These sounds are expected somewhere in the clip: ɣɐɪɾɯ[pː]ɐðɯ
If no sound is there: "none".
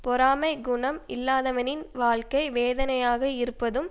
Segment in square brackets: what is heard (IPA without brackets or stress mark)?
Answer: pː